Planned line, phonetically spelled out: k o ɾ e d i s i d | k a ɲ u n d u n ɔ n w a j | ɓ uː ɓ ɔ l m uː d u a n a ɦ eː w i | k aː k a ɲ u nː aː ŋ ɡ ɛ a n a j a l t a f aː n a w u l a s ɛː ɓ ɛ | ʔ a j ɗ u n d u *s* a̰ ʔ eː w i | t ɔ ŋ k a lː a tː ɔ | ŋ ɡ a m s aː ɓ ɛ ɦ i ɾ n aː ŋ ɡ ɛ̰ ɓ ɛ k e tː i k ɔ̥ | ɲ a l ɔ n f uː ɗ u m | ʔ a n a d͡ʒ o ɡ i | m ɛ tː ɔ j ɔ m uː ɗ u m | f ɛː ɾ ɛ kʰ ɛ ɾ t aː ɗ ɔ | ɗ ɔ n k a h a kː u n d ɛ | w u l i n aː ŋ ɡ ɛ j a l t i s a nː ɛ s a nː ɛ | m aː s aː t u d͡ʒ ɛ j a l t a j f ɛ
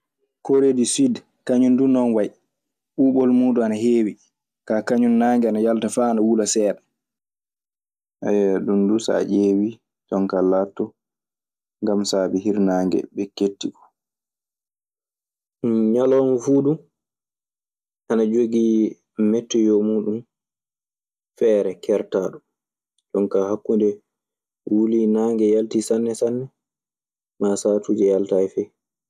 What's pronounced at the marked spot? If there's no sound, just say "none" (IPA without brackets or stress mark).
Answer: s